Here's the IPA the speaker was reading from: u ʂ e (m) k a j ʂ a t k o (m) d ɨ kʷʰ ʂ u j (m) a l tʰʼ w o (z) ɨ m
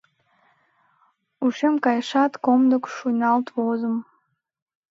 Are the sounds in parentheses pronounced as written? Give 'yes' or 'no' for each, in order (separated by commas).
yes, yes, no, yes